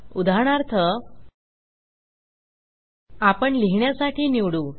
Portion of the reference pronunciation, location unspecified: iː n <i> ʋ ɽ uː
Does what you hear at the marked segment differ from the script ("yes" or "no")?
no